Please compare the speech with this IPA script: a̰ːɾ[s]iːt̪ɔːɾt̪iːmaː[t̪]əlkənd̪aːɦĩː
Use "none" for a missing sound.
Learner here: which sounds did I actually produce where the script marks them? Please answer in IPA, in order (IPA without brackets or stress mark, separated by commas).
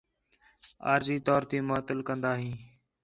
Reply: z, t̪